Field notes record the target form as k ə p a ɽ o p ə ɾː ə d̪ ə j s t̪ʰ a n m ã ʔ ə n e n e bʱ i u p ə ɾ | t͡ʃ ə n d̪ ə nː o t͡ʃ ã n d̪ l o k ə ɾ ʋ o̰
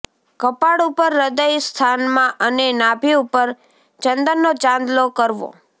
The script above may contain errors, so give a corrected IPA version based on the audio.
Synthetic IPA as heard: k ə p a ɽ u p ə ɾː ə d̪ ə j s t̪ʰ a n m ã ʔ ə n e n a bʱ i u p ə ɾ | t͡ʃ ə n d̪ ə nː o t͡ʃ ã n d̪ l o k ə ɾ ʋ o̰